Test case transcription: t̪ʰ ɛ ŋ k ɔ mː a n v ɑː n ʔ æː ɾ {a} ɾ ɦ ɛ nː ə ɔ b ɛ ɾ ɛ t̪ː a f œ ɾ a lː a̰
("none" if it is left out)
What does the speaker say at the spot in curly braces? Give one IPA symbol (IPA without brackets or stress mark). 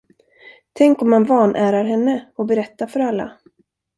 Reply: a